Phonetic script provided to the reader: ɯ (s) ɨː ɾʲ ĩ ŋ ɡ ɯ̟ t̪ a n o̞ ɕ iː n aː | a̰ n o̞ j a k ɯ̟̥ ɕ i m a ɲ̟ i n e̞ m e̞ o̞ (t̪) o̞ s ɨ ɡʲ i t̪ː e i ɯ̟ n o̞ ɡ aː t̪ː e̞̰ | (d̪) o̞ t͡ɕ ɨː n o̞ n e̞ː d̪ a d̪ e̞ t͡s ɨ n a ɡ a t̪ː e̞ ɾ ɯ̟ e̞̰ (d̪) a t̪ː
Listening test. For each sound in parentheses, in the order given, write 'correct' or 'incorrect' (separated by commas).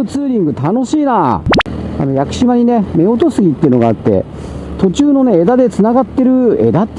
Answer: incorrect, correct, incorrect, correct